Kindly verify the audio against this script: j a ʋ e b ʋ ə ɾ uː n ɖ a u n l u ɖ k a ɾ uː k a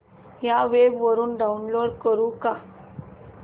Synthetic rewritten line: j a ʋ e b ʋ ə ɾ uː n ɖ a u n l o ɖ k ə ɾ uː k a